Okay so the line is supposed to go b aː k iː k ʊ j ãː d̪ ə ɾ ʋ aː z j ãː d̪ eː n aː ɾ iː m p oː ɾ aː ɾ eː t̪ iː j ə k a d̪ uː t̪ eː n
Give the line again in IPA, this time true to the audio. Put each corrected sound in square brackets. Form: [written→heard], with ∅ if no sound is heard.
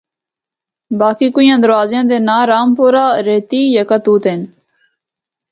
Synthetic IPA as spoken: b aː k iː k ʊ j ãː d̪ ə ɾ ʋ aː z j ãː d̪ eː n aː ɾ [iː→aː] m p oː ɾ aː ɾ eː t̪ iː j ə k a [d̪→t̪] uː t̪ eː n